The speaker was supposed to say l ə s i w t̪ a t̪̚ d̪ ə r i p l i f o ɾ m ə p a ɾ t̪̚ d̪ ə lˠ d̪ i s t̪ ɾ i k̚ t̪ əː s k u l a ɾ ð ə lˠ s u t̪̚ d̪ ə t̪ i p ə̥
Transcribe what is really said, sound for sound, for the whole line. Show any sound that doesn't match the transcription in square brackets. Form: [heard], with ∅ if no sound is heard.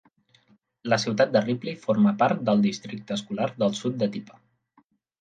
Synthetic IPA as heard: l ə s i w t̪ a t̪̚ d̪ ə r i p l i f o ɾ m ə p a ɾ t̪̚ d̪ ə lˠ d̪ i s t̪ ɾ i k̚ t̪ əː s k u l a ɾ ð ə lˠ s u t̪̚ d̪ ə t̪ i p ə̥

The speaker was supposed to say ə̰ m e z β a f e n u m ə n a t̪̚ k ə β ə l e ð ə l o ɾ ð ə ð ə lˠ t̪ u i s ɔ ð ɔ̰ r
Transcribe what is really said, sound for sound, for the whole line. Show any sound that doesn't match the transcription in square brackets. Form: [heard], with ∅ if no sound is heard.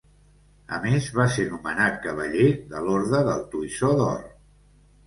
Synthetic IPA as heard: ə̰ m e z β a [s] e n u m ə n a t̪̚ k ə β ə [ʎ] e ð ə l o ɾ ð ə ð ə lˠ t̪ u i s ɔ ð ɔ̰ r

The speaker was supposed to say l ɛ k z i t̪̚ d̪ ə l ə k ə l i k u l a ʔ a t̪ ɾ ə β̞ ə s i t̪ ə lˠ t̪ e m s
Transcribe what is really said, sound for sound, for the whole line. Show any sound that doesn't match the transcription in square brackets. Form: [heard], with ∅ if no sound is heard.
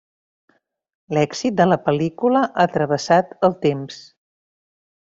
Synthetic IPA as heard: l ɛ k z i t̪̚ d̪ ə l ə [p] ə l i k u l [ə] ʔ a t̪ ɾ ə β̞ ə s [a] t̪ ə lˠ t̪ e m s

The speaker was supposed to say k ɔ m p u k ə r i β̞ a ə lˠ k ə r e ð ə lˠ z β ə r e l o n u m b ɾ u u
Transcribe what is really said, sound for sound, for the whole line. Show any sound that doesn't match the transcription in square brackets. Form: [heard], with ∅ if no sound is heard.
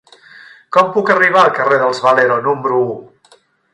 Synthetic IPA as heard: k ɔ m p u k ə r i β̞ a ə lˠ k ə r e ð ə lˠ z β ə [l] e [ɾ] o n u m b ɾ u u

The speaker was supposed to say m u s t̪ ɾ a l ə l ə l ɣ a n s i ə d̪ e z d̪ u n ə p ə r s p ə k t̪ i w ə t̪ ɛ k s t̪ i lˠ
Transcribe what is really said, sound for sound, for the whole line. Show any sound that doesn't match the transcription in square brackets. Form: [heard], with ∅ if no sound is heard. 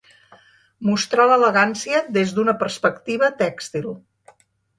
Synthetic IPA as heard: m u s t̪ ɾ a l ə l ə [∅] ɣ a n s i ə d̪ e z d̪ u n ə p ə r s p ə k t̪ i [β] ə t̪ ɛ k s t̪ i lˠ

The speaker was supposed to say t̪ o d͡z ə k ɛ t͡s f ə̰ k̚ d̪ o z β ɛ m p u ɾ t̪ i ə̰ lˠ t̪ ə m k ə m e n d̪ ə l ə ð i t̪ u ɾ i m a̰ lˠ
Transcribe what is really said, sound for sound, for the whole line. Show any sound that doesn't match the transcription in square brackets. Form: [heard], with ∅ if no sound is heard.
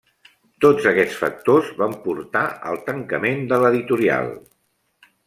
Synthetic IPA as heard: t̪ o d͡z ə k ɛ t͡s f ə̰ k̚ [t̪] o z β [a] m p u ɾ t̪ [a] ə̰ lˠ t̪ ə [ŋ] k ə m e n d̪ ə l ə ð i t̪ u ɾ i [∅] a̰ lˠ

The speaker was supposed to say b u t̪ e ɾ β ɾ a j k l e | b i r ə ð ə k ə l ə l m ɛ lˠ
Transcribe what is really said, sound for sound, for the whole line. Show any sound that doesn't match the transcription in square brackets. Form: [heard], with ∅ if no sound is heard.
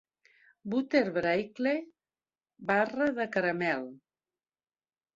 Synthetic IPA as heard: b u t̪ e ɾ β ɾ a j k l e | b [a] r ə ð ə k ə [ɾ] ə [∅] m ɛ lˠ

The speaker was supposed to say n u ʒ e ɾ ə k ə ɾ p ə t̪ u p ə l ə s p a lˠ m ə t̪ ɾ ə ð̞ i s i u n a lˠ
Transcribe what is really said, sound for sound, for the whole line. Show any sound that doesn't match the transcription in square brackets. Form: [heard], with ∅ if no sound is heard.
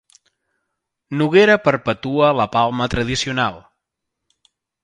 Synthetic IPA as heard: n u [ɣ] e ɾ ə [p] ə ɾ p ə t̪ u [∅] ə l ə [∅] p a lˠ m ə t̪ ɾ ə ð̞ i s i u n a lˠ

